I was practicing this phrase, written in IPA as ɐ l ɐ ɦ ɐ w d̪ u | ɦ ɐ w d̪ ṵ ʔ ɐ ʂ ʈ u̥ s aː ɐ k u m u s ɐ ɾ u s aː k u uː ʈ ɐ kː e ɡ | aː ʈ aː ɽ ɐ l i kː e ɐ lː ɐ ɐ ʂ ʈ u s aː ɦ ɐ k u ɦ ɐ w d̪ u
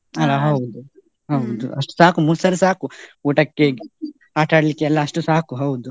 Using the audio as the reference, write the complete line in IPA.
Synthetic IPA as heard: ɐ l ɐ ɦ ɐ w d̪ u | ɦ ɐ w d̪ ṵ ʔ ɐ ʂ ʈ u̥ s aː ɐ k u m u s ɐ ɾ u s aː k u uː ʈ ɐ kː e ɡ | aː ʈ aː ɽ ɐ l i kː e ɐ lː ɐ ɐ ʂ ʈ u s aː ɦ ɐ k u ɦ ɐ w d̪ u